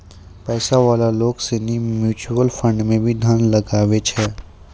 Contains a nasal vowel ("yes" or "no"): yes